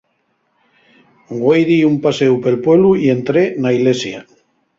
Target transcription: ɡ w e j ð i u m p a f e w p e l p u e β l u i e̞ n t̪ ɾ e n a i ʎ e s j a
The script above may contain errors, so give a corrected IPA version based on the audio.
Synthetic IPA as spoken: ɡ w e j ð i u m p a s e w p e l p w e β l u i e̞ n t̪ ɾ e n a i l e s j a